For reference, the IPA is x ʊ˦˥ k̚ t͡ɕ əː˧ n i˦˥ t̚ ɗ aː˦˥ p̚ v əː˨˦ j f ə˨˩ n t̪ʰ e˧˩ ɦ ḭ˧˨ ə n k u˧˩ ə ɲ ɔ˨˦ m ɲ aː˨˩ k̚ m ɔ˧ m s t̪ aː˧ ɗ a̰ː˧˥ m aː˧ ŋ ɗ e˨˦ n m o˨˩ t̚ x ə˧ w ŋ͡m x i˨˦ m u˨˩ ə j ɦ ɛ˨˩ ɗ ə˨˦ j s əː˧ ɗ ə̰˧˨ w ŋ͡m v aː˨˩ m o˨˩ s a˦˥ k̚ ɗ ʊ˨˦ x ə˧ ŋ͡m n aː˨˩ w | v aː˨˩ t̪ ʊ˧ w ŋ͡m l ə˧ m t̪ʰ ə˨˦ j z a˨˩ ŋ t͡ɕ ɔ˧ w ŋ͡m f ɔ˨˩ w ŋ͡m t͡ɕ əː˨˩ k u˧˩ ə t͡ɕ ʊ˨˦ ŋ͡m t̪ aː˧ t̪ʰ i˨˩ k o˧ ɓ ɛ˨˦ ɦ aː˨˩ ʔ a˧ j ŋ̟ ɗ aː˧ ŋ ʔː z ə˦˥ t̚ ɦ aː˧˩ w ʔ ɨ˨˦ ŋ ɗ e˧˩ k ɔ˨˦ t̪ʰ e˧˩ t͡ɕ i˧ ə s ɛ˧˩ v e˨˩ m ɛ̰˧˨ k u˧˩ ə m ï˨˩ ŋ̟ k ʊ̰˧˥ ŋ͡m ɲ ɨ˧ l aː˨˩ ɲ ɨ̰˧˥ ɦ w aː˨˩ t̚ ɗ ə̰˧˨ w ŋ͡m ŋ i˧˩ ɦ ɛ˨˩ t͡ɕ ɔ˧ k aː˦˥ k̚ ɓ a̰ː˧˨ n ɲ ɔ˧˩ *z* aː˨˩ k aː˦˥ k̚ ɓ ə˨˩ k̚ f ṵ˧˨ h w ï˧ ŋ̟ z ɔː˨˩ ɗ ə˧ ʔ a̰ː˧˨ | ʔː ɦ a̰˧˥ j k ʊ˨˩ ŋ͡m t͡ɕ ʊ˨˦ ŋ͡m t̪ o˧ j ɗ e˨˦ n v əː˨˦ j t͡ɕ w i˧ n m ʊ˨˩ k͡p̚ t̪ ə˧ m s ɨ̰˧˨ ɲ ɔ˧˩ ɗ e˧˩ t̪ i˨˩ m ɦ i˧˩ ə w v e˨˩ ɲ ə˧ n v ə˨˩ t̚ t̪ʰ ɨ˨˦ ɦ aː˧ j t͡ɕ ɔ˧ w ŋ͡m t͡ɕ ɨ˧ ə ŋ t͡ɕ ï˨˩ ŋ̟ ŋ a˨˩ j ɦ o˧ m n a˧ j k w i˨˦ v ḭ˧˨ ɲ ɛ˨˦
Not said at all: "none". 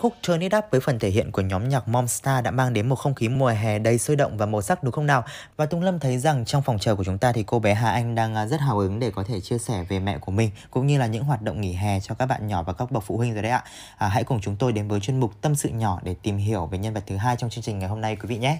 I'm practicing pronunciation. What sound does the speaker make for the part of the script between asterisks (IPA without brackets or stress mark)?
v